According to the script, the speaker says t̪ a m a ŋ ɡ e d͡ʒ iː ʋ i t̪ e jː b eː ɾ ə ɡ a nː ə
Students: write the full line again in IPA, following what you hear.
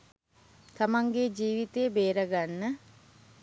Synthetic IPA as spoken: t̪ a m a ŋ ɡ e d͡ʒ iː ʋ i t̪ e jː b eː ɾ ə ɡ a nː ə